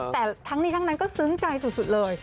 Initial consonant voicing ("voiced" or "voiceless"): voiceless